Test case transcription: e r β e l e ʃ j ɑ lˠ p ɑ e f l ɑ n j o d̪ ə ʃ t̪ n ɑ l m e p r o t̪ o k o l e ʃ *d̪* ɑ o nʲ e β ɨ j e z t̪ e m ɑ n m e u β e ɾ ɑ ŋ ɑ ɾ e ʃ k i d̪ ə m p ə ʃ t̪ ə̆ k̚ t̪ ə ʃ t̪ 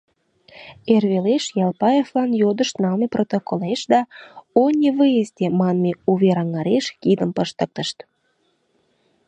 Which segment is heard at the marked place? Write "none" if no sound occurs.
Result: d̪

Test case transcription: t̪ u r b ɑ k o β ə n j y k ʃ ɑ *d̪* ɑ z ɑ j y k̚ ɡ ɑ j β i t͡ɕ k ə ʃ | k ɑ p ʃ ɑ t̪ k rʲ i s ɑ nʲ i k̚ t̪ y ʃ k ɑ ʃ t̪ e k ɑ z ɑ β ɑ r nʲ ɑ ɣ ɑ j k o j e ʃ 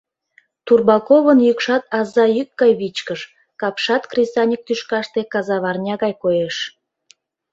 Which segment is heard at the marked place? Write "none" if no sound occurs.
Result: t̪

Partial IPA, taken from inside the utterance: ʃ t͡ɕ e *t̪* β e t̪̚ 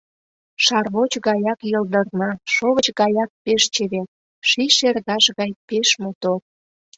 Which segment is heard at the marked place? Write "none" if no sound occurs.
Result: none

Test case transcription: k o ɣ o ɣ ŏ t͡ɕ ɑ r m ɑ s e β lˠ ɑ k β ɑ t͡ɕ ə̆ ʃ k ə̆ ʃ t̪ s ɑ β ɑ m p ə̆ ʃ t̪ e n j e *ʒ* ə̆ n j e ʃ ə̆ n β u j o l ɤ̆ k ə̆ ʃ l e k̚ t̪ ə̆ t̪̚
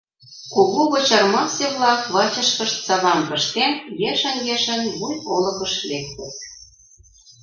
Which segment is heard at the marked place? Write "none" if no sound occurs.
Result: ʃ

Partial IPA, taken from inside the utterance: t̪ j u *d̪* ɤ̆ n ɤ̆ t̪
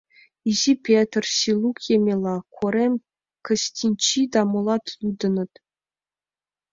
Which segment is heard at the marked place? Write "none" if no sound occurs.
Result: d̪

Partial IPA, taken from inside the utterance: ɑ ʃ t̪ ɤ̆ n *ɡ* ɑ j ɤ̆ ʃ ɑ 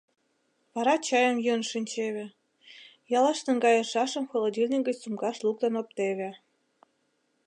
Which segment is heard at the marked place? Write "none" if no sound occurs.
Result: ɡ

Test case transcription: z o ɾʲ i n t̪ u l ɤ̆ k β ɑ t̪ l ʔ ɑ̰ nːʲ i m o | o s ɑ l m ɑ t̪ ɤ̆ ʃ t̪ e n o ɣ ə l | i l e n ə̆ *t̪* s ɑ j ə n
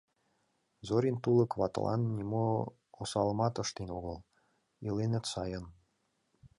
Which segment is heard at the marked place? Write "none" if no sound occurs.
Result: t̪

